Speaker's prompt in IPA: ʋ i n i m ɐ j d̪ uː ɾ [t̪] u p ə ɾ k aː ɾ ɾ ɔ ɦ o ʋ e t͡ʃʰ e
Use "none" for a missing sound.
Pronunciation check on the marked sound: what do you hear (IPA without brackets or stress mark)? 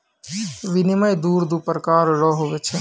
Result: d̪